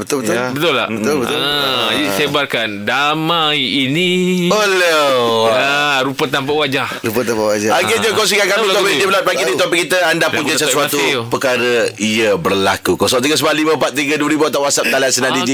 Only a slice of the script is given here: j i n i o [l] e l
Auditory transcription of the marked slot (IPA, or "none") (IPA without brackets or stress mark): l